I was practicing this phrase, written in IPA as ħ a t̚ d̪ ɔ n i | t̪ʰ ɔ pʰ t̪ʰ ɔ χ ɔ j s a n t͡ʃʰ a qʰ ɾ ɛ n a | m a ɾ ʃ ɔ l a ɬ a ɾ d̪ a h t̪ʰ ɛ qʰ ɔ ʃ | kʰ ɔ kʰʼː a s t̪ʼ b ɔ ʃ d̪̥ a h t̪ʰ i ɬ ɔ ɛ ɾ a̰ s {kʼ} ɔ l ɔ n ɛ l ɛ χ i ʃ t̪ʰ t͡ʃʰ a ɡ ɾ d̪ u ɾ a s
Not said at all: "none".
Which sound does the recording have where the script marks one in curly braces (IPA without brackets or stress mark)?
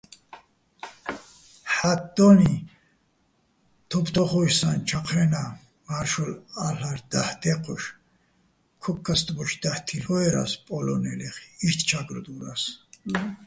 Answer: pʼ